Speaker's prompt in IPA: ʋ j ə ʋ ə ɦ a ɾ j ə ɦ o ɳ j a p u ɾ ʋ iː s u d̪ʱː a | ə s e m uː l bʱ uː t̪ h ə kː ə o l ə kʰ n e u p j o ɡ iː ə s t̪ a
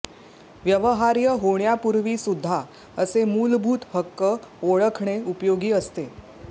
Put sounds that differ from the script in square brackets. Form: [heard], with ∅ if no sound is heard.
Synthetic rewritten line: ʋ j ə ʋ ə ɦ a ɾ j ə ɦ o ɳ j a p u ɾ ʋ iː s u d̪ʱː a | ə s e m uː l bʱ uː t̪ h ə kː ə o [ɭ] ə kʰ [ɳ] e u p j o ɡ iː ə s t̪ [e]